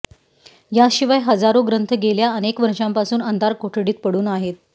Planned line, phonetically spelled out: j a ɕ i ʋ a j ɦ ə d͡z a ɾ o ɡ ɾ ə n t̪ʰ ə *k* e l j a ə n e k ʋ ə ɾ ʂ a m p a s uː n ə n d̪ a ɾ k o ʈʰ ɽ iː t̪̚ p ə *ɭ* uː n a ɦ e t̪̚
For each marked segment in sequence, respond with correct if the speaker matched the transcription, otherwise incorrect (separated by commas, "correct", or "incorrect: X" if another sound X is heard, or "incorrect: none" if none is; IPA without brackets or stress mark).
incorrect: ɡ, incorrect: ɽ